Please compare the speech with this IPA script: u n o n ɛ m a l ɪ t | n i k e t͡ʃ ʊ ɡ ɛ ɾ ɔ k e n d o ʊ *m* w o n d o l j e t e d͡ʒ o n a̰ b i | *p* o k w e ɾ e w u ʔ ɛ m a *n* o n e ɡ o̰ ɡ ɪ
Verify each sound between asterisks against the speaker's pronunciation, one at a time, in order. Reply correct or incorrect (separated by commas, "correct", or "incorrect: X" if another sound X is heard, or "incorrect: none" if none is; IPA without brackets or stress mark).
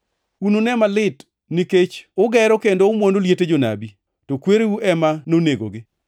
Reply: correct, incorrect: t, correct